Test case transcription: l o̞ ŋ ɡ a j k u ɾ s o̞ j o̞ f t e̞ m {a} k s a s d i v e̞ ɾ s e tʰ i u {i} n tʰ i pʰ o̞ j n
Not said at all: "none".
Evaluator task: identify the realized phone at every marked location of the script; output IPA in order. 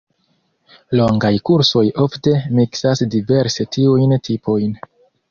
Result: i, j

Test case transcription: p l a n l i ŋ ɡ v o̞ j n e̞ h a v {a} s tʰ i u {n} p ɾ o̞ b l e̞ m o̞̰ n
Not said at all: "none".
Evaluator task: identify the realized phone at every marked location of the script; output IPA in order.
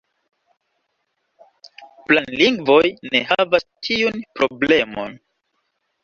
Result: a, n

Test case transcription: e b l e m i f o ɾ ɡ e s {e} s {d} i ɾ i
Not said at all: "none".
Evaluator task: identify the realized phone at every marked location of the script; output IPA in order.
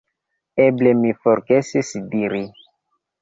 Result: i, d

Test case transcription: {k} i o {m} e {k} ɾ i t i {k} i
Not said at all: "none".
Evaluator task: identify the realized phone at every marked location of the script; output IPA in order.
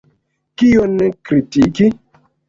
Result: k, n, k, k

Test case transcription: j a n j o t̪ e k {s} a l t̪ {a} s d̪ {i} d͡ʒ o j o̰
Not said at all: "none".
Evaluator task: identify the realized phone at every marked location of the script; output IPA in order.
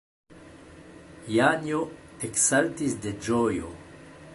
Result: s, i, e

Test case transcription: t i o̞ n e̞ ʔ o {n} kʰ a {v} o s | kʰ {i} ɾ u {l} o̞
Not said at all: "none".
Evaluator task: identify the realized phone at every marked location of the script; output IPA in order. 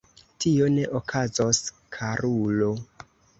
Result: none, z, a, l

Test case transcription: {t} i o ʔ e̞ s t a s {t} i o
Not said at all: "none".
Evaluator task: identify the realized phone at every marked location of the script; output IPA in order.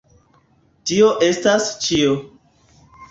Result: t, t͡ʃ

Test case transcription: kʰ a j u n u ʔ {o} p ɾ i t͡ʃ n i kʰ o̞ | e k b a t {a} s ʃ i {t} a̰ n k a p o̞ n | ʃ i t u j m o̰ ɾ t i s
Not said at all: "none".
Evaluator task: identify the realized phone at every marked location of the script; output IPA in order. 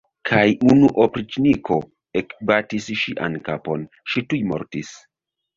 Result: o, i, ʔ

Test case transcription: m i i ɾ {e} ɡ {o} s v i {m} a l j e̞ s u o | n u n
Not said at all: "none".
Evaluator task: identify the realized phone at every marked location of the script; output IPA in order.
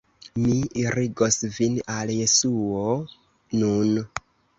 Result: i, o, n

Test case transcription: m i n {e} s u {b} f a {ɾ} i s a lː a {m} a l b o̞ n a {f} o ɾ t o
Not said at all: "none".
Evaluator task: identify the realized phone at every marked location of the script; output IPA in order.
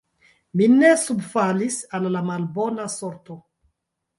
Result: e, b, l, m, s

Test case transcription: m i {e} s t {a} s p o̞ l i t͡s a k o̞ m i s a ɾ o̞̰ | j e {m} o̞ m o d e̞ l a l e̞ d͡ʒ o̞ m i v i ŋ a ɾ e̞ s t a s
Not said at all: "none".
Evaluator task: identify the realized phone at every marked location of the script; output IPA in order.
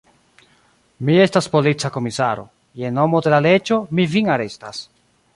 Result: e, a, n

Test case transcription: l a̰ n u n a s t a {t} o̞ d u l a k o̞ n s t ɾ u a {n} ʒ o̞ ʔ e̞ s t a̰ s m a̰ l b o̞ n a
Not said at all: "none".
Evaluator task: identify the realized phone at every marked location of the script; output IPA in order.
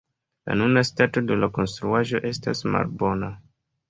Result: t, none

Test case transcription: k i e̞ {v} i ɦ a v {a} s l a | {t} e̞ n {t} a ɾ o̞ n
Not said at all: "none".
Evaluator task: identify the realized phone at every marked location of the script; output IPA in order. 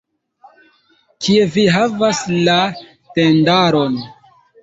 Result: v, a, t, d

